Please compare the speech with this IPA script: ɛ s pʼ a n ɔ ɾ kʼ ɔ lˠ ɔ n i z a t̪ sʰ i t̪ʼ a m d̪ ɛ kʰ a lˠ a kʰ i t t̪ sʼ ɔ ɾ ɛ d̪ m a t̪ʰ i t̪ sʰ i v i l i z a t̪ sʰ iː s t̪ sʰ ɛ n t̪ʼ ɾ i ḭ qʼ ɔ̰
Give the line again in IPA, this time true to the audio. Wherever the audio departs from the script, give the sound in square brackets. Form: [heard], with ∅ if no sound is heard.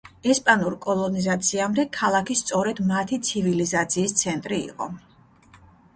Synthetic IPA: ɛ s pʼ a n [u] ɾ kʼ ɔ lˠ ɔ n i z a t̪ sʰ i [∅] a m d̪ ɛ kʰ a lˠ a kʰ i [s] t̪ sʼ ɔ ɾ ɛ d̪ m a t̪ʰ i t̪ sʰ i v i l i z a t̪ sʰ iː s t̪ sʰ ɛ n t̪ʼ ɾ i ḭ qʼ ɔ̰